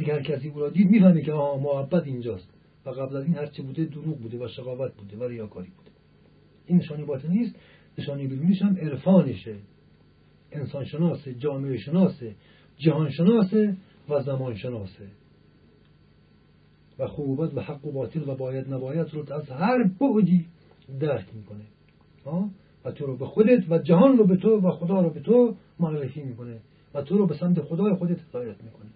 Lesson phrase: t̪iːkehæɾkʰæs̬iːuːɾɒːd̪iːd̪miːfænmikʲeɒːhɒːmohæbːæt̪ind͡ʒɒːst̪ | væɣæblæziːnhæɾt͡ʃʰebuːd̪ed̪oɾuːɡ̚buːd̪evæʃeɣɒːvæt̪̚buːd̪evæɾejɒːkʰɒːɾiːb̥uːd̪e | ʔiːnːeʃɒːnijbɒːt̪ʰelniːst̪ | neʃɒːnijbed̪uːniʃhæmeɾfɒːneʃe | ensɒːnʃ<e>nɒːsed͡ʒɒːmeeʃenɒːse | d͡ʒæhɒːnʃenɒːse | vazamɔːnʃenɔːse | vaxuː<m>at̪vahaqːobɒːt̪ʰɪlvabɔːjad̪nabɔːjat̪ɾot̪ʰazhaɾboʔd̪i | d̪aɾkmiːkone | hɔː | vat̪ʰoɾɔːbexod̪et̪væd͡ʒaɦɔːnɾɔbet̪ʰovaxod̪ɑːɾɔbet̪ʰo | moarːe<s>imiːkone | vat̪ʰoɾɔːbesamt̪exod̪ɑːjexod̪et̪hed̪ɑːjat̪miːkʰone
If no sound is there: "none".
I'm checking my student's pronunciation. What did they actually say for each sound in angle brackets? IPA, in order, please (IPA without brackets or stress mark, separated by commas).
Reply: e, b, f